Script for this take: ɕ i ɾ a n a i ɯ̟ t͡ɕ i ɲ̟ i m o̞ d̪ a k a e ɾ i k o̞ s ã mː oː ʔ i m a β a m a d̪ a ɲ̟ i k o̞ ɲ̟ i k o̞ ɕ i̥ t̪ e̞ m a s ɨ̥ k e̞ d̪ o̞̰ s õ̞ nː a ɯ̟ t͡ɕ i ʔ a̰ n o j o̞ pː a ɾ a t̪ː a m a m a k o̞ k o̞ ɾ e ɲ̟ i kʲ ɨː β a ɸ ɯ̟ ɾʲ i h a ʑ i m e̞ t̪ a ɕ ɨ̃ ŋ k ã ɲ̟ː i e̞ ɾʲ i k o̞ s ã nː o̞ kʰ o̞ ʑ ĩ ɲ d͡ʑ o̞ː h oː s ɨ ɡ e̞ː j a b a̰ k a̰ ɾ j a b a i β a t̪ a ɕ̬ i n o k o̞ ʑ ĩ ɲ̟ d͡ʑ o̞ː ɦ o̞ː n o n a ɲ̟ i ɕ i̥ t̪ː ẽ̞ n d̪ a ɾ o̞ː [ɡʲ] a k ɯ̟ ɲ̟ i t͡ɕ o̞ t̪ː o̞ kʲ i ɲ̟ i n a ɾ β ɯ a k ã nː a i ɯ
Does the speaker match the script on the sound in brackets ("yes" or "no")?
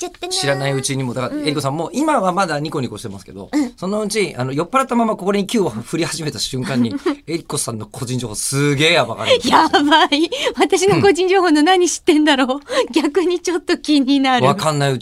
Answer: yes